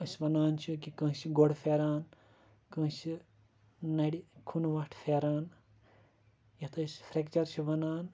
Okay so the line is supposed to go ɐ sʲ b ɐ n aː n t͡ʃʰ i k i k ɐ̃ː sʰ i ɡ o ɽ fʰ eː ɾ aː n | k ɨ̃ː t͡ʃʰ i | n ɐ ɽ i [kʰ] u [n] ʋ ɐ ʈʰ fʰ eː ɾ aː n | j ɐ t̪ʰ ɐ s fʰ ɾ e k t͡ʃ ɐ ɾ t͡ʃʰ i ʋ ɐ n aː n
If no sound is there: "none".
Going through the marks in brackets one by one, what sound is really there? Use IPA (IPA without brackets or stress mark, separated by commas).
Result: kʰ, n